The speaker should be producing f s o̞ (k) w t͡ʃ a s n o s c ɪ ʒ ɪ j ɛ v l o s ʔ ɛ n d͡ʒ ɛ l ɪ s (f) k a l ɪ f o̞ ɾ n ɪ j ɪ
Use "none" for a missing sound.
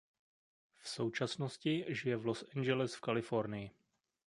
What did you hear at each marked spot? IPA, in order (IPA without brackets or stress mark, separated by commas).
none, f